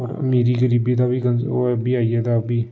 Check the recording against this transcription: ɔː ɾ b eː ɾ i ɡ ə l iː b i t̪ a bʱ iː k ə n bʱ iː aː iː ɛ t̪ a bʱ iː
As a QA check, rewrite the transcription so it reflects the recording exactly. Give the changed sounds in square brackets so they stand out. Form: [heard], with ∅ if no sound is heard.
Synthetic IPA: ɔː ɾ [m] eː ɾ i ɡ ə [ɾ] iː b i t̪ a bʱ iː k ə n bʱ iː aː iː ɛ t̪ a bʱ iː